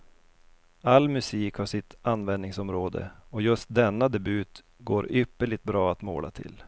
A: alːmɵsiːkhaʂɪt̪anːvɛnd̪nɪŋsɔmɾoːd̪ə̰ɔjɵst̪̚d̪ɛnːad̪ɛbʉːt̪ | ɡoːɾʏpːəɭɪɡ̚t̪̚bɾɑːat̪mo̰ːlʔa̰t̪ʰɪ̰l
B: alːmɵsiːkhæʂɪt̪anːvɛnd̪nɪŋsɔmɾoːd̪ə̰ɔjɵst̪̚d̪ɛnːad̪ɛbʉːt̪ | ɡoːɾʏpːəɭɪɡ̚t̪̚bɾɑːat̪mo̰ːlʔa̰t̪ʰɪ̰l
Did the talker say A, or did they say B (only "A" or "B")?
A